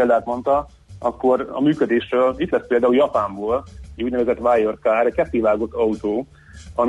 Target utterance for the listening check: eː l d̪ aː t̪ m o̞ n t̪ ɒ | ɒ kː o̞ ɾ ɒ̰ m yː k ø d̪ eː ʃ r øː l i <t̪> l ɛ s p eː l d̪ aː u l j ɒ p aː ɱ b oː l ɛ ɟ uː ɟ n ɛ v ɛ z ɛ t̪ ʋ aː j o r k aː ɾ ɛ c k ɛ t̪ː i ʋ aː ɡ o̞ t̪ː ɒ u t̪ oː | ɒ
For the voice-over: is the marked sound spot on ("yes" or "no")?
yes